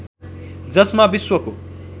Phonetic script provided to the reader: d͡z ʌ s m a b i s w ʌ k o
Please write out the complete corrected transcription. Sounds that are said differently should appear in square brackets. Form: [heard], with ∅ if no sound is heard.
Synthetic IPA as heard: d͡z ʌ s m a b i s w ʌ k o